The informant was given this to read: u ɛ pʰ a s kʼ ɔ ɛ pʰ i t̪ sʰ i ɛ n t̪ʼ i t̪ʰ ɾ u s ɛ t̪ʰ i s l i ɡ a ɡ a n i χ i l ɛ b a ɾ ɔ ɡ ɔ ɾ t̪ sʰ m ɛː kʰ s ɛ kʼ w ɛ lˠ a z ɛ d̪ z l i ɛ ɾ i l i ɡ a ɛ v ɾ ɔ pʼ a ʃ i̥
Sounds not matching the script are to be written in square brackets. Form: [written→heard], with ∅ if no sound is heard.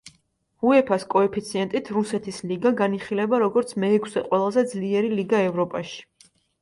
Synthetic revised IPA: u ɛ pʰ a s kʼ ɔ ɛ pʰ i t̪ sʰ i ɛ n t̪ʼ i t̪ʰ ɾ u s ɛ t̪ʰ i s l i ɡ a ɡ a n i χ i l ɛ b a ɾ ɔ ɡ ɔ ɾ t̪ sʰ m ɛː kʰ s ɛ [kʼ→qʼ] w ɛ lˠ a z ɛ d̪ z l i ɛ ɾ i l i ɡ a ɛ v ɾ ɔ pʼ a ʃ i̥

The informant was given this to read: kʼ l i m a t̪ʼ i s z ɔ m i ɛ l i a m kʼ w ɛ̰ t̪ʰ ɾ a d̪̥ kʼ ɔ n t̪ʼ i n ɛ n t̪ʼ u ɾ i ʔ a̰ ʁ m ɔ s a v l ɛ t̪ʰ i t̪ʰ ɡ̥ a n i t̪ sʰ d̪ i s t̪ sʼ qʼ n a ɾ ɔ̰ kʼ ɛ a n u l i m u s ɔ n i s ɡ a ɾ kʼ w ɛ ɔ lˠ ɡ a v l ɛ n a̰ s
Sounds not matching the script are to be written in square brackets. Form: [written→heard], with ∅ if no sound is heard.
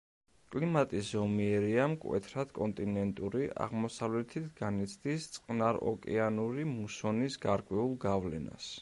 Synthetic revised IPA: kʼ l i m a t̪ʼ i s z ɔ m i ɛ [l→ɾ] i a m kʼ w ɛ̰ t̪ʰ ɾ a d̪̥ kʼ ɔ n t̪ʼ i n ɛ n t̪ʼ u ɾ i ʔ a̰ ʁ m ɔ s a v l ɛ t̪ʰ i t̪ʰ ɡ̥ a n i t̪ sʰ d̪ i s t̪ sʼ qʼ n a ɾ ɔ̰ kʼ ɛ a n u [l→ɾ] i m u s ɔ n i s ɡ a ɾ kʼ w ɛ [ɔ→u] lˠ ɡ a v l ɛ n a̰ s

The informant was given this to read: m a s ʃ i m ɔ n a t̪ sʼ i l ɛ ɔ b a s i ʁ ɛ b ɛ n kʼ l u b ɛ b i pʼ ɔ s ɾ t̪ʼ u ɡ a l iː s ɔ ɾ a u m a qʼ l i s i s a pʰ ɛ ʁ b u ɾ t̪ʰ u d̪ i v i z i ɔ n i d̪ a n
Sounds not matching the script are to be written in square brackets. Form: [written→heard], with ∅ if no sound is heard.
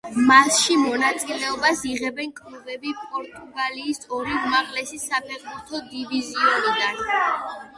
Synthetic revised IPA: m a s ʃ i m ɔ n a t̪ sʼ i l ɛ ɔ b a s i ʁ ɛ b ɛ n kʼ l u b ɛ b i pʼ ɔ [s→∅] ɾ t̪ʼ u ɡ a l iː s ɔ ɾ [a→i] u m a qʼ l [i→ɛ] s i s a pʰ ɛ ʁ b u ɾ t̪ʰ [u→ɔ] d̪ i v i z i ɔ n i d̪ a n

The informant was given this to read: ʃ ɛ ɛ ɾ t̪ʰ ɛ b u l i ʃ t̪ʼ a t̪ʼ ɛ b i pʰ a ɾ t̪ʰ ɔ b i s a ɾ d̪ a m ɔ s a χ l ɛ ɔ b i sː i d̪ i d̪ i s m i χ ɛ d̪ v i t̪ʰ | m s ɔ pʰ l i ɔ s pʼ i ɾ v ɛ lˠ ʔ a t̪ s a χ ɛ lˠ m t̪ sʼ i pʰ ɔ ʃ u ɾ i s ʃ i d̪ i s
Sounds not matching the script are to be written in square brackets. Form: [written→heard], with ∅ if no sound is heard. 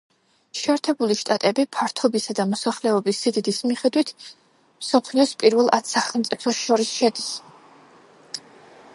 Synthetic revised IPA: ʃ ɛ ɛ ɾ t̪ʰ ɛ b u l i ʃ t̪ʼ a t̪ʼ ɛ b i pʰ a ɾ t̪ʰ ɔ b i s a [ɾ→∅] d̪ a m ɔ s a χ l ɛ ɔ b i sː i d̪ i d̪ i s m i χ ɛ d̪ [v→w] i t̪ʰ | m s ɔ pʰ l i ɔ s pʼ i ɾ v ɛ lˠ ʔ a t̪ s a χ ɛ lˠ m t̪ sʼ i pʰ ɔ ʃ [u→ɔ] ɾ i s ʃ [i→ɛ] d̪ i s

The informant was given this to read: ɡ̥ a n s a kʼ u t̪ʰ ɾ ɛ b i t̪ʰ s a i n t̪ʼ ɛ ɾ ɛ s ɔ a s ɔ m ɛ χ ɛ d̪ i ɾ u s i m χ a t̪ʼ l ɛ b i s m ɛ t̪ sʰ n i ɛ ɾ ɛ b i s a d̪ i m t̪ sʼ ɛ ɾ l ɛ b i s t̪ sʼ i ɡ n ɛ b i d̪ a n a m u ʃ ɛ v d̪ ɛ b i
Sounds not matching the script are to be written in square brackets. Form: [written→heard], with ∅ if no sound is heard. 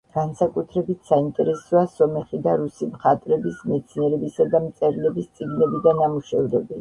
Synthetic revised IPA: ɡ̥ a n s a kʼ u t̪ʰ ɾ ɛ b i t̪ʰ s a i n t̪ʼ ɛ ɾ ɛ s ɔ a s ɔ m ɛ χ [ɛ→i] d̪ [i→a] ɾ u s i m χ a t̪ʼ [l→ɾ] ɛ b i s m ɛ t̪ sʰ n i ɛ ɾ ɛ b i s a d̪ [i→a] m t̪ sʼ ɛ ɾ l ɛ b i s t̪ sʼ i ɡ n ɛ b i d̪ a n a m u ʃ ɛ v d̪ ɛ b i

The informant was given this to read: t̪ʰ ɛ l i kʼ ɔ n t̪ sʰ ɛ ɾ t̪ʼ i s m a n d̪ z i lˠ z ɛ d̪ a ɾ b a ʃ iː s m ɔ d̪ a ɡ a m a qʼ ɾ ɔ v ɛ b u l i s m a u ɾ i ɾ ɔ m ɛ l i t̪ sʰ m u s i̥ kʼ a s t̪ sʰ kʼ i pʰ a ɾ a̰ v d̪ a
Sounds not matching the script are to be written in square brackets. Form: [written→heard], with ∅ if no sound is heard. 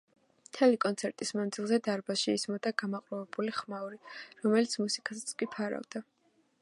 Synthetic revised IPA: t̪ʰ ɛ l i kʼ ɔ n t̪ sʰ ɛ ɾ t̪ʼ i s m a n d̪ z i lˠ z ɛ d̪ a ɾ b a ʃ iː s m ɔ d̪ a ɡ a m a qʼ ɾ ɔ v ɛ b u l i [s→χ] m a u ɾ i ɾ ɔ m ɛ l i t̪ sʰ m u s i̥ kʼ a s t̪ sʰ kʼ i pʰ a ɾ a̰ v d̪ a

